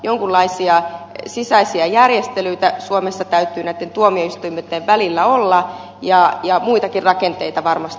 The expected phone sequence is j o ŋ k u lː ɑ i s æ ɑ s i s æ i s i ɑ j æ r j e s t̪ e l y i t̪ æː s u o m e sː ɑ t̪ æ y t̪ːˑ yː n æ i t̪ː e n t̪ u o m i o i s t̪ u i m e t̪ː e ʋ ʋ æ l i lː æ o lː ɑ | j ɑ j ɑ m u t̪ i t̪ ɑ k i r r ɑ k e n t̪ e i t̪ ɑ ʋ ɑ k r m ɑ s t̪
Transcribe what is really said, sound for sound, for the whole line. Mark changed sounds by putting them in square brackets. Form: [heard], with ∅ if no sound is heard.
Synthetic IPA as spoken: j o ŋ k u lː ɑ i s [i] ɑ s i s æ i s i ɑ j æ r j e s t̪ e l y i t̪ [æ] s u o m e sː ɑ t̪ æ y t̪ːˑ yː n æ i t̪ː e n t̪ u o m i o i s t̪ u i m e t̪ː e ʋ ʋ æ l i lː æ o lː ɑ | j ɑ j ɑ m u [∅] i t̪ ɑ k i r r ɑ k e n t̪ e i t̪ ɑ ʋ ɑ [∅] r m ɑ s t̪